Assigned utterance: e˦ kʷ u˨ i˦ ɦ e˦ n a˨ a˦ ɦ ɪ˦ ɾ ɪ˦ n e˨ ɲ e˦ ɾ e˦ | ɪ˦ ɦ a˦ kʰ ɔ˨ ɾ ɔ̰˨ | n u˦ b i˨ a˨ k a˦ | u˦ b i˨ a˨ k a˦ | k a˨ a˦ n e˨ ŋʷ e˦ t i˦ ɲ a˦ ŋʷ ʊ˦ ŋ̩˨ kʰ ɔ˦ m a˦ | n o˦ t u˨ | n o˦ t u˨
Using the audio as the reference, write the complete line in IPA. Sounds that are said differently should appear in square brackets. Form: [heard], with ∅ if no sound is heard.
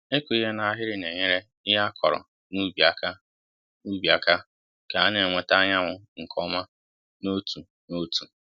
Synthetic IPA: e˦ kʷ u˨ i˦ ɦ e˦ n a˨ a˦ ɦ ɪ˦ ɾ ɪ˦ n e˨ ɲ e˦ ɾ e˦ | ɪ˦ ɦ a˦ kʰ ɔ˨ ɾ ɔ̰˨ | n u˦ b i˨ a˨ k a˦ | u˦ b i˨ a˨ k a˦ | k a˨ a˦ n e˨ ŋʷ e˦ t [a˦] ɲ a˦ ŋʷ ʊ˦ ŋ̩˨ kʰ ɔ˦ m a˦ | n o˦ t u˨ | n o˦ t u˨

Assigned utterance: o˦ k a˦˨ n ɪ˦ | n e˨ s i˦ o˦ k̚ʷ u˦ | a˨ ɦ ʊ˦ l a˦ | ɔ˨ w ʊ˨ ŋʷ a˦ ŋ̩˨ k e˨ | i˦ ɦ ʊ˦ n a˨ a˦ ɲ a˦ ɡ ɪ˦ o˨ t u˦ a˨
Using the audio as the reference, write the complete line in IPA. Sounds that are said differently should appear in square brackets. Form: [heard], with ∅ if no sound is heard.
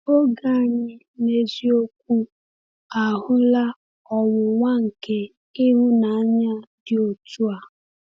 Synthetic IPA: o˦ [ɡ] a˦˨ [ɲ] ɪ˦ | n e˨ [z] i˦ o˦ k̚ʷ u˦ | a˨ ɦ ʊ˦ l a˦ | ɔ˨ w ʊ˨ ŋʷ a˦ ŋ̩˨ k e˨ | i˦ ɦ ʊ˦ n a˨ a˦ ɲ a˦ [d] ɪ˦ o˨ t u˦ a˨

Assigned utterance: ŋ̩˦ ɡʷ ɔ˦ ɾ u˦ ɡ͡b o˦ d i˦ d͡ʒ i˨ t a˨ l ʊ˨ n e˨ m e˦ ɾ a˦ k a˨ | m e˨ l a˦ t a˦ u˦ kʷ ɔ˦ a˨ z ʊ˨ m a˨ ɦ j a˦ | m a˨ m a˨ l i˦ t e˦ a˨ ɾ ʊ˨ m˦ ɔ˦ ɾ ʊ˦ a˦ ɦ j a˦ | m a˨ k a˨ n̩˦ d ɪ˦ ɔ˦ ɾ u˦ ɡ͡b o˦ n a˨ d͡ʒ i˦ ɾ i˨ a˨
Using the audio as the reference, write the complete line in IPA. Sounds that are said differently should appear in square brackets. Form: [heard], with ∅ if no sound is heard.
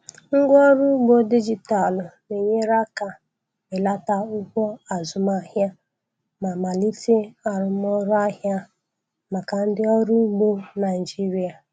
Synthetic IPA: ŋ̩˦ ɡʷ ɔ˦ ɾ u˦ ɡ͡b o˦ d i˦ d͡ʒ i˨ t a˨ l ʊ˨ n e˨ [ɲ] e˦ ɾ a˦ k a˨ | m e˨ l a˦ t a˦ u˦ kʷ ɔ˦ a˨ z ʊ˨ m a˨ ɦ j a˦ | m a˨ m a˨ l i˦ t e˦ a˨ ɾ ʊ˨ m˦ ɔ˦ ɾ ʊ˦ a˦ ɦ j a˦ | m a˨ k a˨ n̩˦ d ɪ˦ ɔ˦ ɾ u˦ ɡ͡b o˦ n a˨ d͡ʒ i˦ ɾ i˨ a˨

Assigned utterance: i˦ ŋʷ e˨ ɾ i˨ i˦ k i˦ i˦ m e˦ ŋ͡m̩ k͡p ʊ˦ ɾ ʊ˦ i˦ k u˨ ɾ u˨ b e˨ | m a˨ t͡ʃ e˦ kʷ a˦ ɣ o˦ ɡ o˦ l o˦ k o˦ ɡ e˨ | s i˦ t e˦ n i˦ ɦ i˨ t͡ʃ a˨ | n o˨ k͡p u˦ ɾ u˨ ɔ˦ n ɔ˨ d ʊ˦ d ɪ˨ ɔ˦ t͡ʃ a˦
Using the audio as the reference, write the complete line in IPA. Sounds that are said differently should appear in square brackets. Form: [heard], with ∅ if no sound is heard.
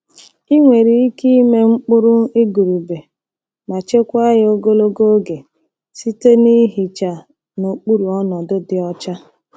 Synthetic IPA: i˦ ŋʷ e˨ ɾ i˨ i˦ k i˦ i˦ m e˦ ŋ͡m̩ k͡p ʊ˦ ɾ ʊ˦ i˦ [ɡ] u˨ ɾ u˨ b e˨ | m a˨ t͡ʃ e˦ kʷ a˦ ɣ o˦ ɡ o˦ l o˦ [ɡ] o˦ ɡ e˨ | s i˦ t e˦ n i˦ ɦ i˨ t͡ʃ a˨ | n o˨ k͡p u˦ ɾ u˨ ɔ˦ n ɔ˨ d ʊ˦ d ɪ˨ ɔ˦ t͡ʃ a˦

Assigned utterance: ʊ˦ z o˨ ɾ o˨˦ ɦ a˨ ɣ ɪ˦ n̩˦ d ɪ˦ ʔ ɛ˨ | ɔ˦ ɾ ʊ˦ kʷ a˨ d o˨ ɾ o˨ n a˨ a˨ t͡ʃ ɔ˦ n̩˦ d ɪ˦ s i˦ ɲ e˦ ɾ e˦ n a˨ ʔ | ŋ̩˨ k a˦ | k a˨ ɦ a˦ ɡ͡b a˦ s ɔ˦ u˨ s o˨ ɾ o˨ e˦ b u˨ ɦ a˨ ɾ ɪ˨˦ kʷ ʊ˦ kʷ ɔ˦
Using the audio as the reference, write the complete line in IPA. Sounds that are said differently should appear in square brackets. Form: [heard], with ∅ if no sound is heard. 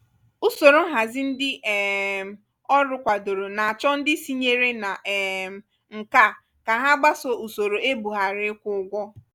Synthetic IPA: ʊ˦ [s] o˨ ɾ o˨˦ ɦ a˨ [z] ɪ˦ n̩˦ d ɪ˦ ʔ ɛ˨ | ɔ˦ ɾ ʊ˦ kʷ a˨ d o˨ ɾ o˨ n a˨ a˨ t͡ʃ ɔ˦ n̩˦ d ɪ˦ s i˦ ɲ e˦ ɾ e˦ n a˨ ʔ | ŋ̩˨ k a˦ | k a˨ ɦ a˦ ɡ͡b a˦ s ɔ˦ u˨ s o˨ ɾ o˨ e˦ b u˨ ɦ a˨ ɾ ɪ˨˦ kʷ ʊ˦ [ɡʷ] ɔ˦

